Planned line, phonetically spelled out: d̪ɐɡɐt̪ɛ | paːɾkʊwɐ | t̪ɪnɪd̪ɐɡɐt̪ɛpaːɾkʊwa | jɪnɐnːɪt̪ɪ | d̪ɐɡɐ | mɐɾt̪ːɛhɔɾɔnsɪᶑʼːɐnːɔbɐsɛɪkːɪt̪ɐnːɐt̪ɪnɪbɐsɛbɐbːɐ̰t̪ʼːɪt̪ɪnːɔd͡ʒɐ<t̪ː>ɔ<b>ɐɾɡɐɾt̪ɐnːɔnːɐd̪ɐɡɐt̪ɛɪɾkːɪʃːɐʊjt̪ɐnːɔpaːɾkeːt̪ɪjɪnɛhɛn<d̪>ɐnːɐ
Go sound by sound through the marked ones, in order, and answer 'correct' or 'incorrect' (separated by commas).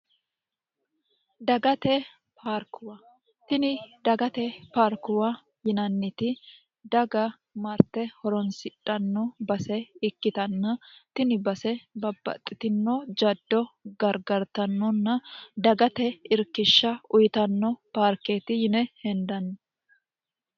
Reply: incorrect, incorrect, correct